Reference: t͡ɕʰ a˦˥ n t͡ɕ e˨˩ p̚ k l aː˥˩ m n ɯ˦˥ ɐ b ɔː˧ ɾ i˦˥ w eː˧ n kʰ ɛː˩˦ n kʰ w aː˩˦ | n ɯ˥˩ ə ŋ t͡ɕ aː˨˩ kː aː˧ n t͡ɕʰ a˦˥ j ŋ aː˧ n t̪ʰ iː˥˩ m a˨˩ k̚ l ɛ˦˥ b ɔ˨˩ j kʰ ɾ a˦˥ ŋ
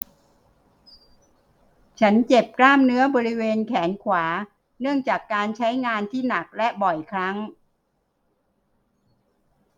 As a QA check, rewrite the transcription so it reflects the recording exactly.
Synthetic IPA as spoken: t͡ɕʰ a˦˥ n t͡ɕ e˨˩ p̚ k l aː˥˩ m n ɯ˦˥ ɐ b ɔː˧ ɾ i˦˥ w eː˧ n kʰ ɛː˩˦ n kʰ w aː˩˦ | n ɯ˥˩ ə ŋ t͡ɕ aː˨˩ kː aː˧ n t͡ɕʰ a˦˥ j ŋ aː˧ n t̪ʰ iː˥˩ n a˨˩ k̚ l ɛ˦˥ b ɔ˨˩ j kʰ ɾ a˦˥ ŋ